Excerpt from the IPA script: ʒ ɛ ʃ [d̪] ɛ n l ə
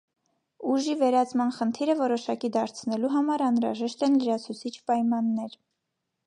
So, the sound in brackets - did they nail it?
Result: no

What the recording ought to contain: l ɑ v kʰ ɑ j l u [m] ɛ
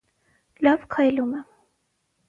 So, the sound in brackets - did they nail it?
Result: yes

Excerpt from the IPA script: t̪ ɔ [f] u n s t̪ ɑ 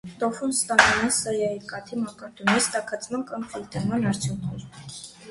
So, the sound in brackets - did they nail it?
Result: yes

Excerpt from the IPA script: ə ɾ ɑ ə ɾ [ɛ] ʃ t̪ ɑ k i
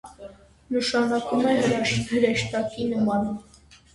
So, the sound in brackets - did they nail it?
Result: yes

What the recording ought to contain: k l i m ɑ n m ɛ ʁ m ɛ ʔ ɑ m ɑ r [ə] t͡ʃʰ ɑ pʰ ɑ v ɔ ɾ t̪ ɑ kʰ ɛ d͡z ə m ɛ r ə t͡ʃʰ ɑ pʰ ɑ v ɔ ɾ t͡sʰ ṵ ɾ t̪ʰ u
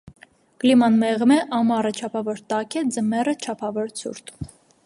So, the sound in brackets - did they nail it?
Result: yes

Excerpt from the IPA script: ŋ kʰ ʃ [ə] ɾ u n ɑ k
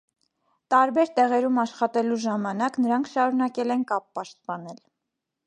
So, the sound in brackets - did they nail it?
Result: no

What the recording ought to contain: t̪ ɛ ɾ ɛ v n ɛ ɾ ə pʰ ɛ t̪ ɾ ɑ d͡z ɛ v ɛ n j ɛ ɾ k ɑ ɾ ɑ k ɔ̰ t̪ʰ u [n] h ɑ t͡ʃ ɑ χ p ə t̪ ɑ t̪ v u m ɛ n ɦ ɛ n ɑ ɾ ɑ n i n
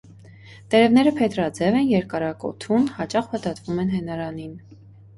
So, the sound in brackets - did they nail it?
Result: yes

